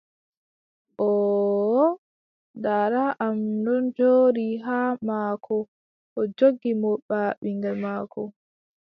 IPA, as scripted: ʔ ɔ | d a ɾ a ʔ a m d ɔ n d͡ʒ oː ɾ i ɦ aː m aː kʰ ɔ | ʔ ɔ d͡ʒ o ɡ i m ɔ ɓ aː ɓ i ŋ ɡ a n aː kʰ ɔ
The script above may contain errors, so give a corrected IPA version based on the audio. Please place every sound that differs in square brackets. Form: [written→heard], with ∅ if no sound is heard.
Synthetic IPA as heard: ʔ ɔ | d a ɾ a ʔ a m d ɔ n d͡ʒ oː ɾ i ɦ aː m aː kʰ ɔ | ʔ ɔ d͡ʒ o ɡ i m ɔ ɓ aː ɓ i ŋ ɡ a [n→m] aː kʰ ɔ

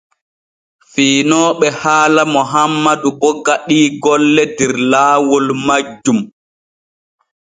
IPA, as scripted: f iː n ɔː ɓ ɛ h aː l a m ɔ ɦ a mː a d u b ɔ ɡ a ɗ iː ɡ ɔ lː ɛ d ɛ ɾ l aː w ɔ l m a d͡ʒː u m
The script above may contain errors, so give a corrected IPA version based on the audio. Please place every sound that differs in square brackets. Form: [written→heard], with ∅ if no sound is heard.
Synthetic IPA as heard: f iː n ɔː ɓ ɛ h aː l a m ɔ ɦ a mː a d u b ɔ ɡ a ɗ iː ɡ ɔ lː ɛ d ɛ ɾ l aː w ɔ l m a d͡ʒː u m

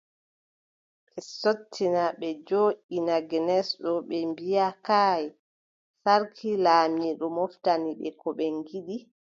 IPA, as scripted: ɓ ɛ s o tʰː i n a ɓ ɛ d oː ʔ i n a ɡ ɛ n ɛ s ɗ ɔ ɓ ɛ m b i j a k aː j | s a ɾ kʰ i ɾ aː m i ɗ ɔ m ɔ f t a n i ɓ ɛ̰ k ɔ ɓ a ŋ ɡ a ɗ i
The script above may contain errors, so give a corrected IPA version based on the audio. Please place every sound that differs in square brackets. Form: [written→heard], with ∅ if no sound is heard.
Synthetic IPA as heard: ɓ ɛ s o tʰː i n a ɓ ɛ [d→d͡ʒ] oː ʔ i n a ɡ ɛ n ɛ s ɗ ɔ ɓ ɛ m b i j a k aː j | s a ɾ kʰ i [ɾ→l] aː m i ɗ ɔ m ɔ f t a n i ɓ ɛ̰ k ɔ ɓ [a→ɛ] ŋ ɡ [a→i] ɗ i

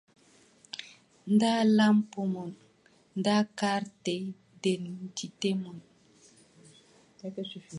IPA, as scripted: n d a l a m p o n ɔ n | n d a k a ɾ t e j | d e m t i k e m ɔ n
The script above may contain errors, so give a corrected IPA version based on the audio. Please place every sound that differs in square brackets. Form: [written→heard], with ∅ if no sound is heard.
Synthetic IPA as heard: n d a l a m p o [n→m] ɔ n | n d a k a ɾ t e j | d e [m→n] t i [k→t] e m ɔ n

